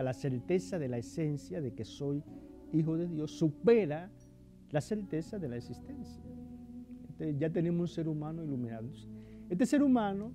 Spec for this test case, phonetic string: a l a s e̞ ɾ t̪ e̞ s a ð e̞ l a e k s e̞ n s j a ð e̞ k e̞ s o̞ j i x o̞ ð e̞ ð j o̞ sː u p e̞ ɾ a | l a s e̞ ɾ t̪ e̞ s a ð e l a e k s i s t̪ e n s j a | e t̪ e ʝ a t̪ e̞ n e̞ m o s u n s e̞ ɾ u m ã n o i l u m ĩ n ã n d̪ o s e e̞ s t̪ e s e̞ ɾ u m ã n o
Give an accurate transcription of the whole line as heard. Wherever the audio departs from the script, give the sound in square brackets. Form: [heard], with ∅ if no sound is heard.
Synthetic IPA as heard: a l a s e̞ ɾ t̪ e̞ s a ð e̞ l a e [∅] s e̞ n s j a ð e̞ k e̞ s o̞ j i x o̞ ð e̞ ð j o̞ sː u p e̞ ɾ a | l a s e̞ ɾ t̪ e̞ s a ð e l a e k s i s t̪ e n s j a | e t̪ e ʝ a t̪ e̞ n e̞ m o s u n s e̞ ɾ u m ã n o i l u m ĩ n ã n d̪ o s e e̞ s t̪ e s e̞ ɾ u m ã n o